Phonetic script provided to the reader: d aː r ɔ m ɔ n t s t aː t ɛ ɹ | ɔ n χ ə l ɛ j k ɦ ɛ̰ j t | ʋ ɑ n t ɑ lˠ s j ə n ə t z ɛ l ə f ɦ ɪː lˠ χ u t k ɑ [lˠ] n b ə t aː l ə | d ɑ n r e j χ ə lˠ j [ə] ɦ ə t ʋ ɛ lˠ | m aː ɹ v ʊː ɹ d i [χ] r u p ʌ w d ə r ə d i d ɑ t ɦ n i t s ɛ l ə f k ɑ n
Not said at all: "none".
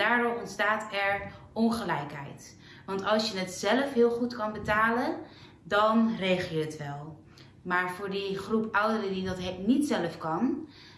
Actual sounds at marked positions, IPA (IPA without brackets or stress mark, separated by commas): none, ə, χ